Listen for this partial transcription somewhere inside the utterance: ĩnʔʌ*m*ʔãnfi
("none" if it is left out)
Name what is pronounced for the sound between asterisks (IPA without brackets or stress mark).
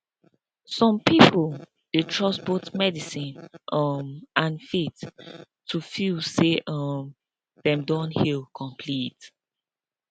m